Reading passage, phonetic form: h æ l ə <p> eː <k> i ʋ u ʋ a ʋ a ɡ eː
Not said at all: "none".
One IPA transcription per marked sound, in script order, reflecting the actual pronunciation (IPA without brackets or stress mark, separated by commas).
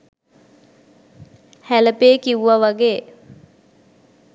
p, k